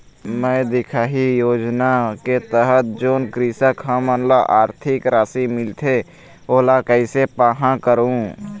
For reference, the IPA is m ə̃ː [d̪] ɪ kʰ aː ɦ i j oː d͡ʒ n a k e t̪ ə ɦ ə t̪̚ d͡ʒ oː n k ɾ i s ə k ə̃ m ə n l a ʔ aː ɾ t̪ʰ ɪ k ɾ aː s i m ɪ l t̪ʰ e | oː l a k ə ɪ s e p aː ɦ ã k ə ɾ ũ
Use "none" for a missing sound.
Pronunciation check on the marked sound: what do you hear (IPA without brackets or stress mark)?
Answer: d̪